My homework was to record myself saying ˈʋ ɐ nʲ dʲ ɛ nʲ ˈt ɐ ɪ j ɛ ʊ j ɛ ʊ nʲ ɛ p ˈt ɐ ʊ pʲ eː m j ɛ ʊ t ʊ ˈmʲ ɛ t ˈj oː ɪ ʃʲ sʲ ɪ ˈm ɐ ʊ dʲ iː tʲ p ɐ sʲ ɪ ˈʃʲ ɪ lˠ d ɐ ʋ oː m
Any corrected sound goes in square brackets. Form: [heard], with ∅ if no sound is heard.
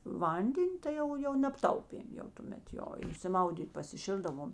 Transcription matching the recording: ˈʋ ɐ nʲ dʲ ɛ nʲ ˈt ɐ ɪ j ɛ ʊ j ɛ ʊ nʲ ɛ p ˈt ɐ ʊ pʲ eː m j ɛ ʊ t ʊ ˈmʲ ɛ t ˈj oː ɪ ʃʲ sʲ ɪ ˈm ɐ ʊ dʲ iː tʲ p ɐ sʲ ɪ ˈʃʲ ɪ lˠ d ɐ ʋ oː m